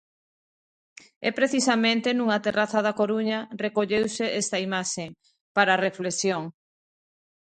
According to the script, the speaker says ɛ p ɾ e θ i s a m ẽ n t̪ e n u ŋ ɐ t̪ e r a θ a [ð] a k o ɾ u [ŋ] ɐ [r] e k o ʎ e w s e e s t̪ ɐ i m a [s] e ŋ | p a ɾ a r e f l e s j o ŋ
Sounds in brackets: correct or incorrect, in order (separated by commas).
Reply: correct, incorrect, correct, incorrect